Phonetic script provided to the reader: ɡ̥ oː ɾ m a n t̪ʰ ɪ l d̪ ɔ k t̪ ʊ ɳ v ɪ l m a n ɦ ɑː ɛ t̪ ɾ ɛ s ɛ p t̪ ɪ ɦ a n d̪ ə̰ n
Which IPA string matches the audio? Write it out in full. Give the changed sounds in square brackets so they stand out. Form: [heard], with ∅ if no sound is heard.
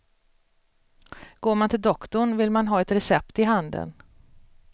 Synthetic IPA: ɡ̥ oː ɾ m a n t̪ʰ ɪ l d̪ ɔ k t̪ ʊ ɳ v ɪ l m a n ɦ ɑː ɛ t̪ ɾ ɛ s ɛ p t̪ ɪ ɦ a n d̪ ə̰ n